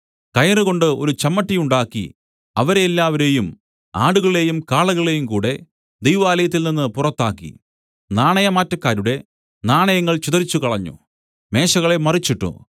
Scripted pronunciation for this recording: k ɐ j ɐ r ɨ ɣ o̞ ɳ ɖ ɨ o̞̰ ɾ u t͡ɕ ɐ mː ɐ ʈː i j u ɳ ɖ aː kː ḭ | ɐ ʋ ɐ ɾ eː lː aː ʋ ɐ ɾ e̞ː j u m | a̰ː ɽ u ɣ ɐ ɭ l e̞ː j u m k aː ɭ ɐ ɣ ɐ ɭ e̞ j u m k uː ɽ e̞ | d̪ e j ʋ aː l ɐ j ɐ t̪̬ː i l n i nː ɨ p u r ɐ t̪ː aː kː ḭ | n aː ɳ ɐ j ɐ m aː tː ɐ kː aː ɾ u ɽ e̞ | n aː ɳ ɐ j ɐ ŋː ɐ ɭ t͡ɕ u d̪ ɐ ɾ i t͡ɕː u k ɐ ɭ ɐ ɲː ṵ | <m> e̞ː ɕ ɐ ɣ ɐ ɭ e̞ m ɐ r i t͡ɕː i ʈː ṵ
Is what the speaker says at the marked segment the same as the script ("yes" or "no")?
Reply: yes